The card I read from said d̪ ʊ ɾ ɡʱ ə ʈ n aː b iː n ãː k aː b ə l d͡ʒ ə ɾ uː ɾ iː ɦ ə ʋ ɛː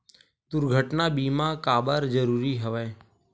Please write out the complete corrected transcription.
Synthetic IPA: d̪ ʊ ɾ ɡʱ ə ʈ n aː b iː m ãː k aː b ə ɾ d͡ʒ ə ɾ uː ɾ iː ɦ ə ʋ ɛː